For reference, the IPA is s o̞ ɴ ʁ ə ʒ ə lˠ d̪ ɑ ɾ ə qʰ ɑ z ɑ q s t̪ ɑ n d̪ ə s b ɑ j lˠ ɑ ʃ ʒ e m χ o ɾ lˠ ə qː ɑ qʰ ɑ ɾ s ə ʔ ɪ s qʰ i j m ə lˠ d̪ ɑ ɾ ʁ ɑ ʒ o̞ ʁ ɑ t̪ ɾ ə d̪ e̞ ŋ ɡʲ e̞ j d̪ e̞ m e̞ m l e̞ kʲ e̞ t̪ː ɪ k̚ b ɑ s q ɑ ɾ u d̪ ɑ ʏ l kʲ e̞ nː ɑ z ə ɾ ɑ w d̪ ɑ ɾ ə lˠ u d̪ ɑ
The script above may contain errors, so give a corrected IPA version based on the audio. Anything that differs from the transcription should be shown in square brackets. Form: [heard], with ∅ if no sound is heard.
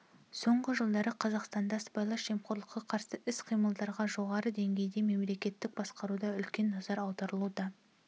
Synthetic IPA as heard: s o̞ ɴ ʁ ə ʒ ə lˠ d̪ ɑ ɾ ə qʰ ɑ z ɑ q s t̪ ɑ n d̪ [ɑ] s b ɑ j lˠ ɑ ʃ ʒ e m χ o ɾ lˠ ə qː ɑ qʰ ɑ ɾ s ə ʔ ɪ s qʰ i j m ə lˠ d̪ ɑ ɾ ʁ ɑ ʒ o̞ ʁ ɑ [∅] ɾ ə d̪ e̞ ŋ ɡʲ e̞ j d̪ e̞ m e̞ m l e̞ kʲ e̞ t̪ː ɪ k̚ b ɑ s q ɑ ɾ u d̪ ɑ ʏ l kʲ e̞ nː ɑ z [ɑ] ɾ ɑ w d̪ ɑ ɾ ə lˠ u d̪ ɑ

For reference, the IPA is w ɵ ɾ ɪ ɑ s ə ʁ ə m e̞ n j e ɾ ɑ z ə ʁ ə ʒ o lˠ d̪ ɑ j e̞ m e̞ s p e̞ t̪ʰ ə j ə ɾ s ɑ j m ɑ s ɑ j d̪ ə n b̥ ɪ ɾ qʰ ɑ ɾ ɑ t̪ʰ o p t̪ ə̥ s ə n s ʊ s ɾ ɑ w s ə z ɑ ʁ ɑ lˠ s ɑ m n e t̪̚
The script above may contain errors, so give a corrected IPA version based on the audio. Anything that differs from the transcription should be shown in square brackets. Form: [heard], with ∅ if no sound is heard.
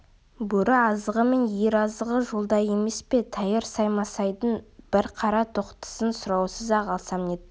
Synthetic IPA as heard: [b] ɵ ɾ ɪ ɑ [z] ə ʁ ə m e̞ n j e ɾ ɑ z ə ʁ ə ʒ o lˠ d̪ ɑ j e̞ m e̞ s p e̞ t̪ʰ [ɑ] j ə ɾ s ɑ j m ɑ s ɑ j d̪ ə n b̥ ɪ ɾ qʰ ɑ ɾ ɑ t̪ʰ o [q] t̪ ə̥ s ə n s ʊ [∅] ɾ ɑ w s ə z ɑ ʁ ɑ lˠ s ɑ m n e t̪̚

